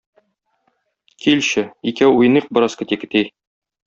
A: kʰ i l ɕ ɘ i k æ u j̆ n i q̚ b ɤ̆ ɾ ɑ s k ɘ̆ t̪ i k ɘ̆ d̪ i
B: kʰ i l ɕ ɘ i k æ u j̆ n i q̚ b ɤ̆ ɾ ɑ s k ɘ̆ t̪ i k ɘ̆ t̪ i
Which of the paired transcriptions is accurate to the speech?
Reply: B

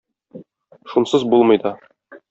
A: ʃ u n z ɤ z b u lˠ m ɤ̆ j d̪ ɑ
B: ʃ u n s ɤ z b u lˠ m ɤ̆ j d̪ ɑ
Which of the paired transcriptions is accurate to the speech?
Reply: B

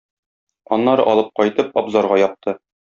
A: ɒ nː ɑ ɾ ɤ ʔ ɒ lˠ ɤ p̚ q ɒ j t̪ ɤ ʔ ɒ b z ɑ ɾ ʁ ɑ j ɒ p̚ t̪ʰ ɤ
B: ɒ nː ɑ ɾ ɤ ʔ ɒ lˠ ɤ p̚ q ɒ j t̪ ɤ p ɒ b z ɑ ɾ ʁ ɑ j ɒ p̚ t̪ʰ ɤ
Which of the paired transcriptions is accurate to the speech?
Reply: B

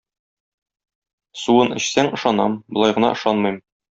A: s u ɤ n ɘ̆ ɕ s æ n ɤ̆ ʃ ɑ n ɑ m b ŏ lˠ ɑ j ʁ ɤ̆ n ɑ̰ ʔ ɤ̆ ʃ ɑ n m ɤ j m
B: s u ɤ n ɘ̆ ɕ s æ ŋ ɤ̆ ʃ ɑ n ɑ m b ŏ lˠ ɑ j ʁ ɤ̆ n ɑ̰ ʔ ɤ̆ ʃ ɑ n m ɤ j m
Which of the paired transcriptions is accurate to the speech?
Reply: B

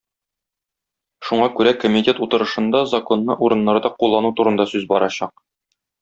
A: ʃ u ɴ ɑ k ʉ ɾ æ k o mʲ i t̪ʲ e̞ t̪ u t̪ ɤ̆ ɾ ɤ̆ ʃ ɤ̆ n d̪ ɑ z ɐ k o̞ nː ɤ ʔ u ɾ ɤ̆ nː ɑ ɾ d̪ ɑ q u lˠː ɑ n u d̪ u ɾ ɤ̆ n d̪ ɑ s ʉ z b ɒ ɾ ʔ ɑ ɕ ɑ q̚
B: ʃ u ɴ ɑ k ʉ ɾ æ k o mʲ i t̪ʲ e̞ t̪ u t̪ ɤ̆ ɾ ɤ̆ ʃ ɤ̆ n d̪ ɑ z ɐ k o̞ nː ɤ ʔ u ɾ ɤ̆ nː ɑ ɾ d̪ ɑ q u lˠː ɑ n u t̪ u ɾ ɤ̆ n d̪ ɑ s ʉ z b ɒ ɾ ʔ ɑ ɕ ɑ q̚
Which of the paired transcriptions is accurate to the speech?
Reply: B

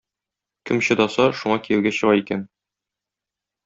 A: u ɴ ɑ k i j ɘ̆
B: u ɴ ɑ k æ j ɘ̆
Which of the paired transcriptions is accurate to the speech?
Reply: A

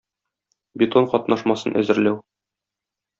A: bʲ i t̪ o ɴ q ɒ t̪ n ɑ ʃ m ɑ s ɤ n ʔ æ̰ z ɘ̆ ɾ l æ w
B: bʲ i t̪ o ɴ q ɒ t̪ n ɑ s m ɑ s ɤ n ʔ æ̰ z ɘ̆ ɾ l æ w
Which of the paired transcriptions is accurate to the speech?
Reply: A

